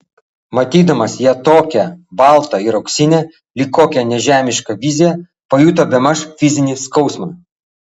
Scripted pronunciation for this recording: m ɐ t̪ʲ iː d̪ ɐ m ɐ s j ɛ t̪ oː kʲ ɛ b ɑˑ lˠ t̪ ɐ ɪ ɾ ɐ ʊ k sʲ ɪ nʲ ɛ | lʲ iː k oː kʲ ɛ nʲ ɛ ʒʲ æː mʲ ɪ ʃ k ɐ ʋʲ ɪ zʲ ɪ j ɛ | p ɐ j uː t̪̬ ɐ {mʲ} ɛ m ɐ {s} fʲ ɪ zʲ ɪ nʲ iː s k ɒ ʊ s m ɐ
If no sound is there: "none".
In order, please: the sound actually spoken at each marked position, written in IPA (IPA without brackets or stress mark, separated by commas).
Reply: bʲ, ʃ